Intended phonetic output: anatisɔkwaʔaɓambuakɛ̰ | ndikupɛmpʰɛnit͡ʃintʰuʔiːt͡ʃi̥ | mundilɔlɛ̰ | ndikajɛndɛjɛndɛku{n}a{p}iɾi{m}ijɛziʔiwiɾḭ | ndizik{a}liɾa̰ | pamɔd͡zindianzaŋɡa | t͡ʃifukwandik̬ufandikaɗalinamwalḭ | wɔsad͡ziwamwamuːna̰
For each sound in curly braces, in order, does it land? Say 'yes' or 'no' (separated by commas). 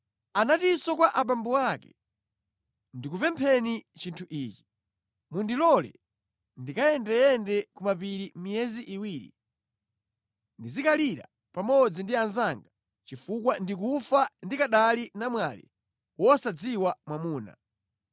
no, yes, yes, yes